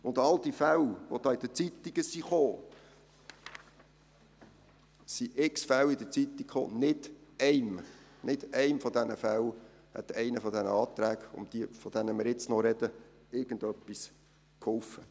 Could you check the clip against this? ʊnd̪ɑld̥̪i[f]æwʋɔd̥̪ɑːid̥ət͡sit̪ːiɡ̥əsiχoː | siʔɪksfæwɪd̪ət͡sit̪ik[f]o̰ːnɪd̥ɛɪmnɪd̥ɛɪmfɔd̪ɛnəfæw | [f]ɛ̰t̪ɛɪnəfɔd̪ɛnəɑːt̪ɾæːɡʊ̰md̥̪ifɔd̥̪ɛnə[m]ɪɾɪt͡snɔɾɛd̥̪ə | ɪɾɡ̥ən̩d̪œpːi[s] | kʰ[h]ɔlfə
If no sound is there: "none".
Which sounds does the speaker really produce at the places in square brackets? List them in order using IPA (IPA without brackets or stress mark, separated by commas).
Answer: f, χ, h, m, s, h